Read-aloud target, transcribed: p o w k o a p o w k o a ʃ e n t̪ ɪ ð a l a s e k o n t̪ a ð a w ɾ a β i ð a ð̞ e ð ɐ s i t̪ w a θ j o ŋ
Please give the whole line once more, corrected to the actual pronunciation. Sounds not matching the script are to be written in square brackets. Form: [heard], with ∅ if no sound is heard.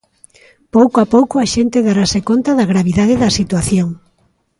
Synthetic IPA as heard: p o w k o a p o w k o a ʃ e n t̪ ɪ ð a [ɾ] a s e k o n t̪ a ð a [ɣ] ɾ a β i ð a ð̞ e ð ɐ s i t̪ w a θ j o ŋ

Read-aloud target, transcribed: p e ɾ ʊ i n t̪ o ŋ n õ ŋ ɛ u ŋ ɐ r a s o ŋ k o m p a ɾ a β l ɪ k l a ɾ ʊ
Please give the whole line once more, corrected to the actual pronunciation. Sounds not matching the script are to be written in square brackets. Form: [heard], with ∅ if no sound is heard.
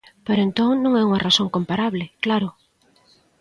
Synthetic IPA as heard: p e ɾ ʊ [e] n t̪ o ŋ n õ ŋ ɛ u ŋ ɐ r a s o ŋ k o m p a ɾ a β l ɪ k l a ɾ ʊ

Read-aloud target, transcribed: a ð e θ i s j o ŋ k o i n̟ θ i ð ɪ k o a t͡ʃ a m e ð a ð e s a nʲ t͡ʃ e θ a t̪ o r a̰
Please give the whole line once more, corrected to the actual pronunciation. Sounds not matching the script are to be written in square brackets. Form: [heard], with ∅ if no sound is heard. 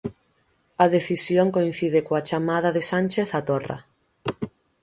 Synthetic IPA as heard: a ð e θ i s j o ŋ k o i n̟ θ i ð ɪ k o a t͡ʃ a m [a] ð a ð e s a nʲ t͡ʃ e θ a t̪ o r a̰

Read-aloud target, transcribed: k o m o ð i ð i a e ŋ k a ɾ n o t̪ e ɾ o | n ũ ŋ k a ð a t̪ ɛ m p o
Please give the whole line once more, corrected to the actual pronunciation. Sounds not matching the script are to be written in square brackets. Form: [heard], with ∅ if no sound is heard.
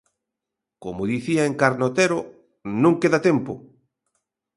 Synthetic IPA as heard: k o m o ð i [θ] i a e ŋ k a ɾ n o t̪ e ɾ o | n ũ ŋ k [e] ð a t̪ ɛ m p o

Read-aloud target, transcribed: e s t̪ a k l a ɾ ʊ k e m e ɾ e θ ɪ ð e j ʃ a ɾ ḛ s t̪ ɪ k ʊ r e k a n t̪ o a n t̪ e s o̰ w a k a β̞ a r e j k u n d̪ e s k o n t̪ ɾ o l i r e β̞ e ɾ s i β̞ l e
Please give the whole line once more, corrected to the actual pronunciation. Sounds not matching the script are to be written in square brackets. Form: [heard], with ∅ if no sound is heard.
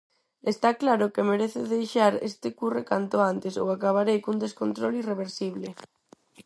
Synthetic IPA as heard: e s t̪ a k l a ɾ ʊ k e m e ɾ e θ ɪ ð e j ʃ a ɾ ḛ s t̪ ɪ k [u] r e k a n t̪ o a n t̪ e s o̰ w a k a β̞ a [ɾ] e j k u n d̪ e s k o n t̪ ɾ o l i r e β̞ e ɾ s i β̞ l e

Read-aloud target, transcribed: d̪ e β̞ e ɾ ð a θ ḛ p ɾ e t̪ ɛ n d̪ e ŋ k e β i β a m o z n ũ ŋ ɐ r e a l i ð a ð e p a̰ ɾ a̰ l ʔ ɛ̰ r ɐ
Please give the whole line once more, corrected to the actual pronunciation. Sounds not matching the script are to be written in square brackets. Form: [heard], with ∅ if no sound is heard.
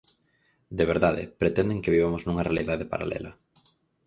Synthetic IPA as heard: d̪ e β̞ e ɾ ð a [ð] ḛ p ɾ e t̪ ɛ n d̪ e ŋ k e β i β a m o z n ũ ŋ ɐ r e a l i ð a ð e p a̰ ɾ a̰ l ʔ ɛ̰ [l] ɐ

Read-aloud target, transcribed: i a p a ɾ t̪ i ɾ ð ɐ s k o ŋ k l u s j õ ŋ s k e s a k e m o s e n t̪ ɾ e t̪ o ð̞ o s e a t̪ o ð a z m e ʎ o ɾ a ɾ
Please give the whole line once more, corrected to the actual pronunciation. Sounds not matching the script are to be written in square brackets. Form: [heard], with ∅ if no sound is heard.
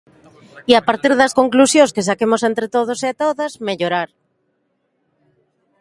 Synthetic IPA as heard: i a p a ɾ t̪ i ɾ ð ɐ s k o ŋ k l u s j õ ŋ s k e s a k e m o s e n t̪ ɾ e t̪ o ð̞ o s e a t̪ o ð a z m e ʎ o ɾ a ɾ

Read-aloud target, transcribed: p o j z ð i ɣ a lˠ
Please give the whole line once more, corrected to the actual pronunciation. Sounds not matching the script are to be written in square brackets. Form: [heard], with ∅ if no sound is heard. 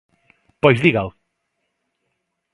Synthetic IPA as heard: p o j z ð i ɣ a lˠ

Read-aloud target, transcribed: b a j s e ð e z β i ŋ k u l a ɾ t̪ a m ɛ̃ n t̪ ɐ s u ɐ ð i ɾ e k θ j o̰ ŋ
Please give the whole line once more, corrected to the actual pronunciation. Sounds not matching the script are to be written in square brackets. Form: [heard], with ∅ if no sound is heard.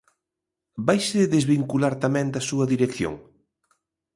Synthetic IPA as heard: b a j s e ð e z β i ŋ k u l a ɾ t̪ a m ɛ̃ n [d̪] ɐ s u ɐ ð i ɾ e k θ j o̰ ŋ

